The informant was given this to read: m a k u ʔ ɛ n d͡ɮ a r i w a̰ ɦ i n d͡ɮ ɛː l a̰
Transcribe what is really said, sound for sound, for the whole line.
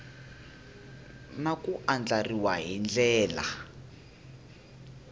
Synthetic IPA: n a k u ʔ a n d͡ɮ a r i w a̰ ɦ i n d͡ɮ ɛː l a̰